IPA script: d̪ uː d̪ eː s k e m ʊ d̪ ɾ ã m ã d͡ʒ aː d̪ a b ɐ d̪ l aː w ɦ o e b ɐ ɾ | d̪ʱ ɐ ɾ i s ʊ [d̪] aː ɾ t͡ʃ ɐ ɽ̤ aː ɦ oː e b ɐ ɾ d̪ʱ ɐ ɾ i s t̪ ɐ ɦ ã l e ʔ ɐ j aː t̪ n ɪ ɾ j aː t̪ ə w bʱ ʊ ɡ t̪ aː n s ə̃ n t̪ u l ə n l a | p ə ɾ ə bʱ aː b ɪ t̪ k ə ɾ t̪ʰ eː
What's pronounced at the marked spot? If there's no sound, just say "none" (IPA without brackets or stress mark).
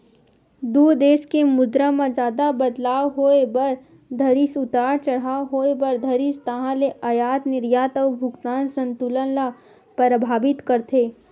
t̪